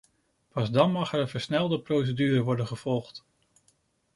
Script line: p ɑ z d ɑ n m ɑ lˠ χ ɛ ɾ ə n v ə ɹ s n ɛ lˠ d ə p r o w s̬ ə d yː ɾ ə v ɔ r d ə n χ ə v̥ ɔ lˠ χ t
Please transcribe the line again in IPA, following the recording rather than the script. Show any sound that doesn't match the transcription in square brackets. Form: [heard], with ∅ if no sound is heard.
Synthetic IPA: p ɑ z d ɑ n m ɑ [∅] χ ɛ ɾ ə n v ə ɹ s n ɛ lˠ d ə p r o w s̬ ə d yː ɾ ə [ʋ] ɔ [ɹ] d ə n χ ə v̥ ɔ lˠ χ t